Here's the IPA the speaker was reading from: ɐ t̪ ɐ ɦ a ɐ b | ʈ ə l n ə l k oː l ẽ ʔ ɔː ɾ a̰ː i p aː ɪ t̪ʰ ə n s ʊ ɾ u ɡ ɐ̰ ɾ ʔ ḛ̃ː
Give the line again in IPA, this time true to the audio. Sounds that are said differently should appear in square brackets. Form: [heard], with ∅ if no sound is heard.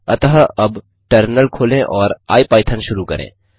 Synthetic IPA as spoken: ɐ t̪ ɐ ɦ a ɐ b | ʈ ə [ɾ] n ə l [kʰ] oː l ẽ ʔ ɔː ɾ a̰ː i p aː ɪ t̪ʰ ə n [ʃ] ʊ ɾ u [k] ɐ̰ ɾ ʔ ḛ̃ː